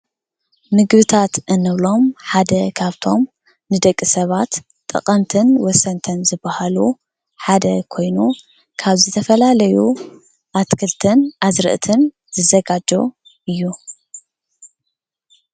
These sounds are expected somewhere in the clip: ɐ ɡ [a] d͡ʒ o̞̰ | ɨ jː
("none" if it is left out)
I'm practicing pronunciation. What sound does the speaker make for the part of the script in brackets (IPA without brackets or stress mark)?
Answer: a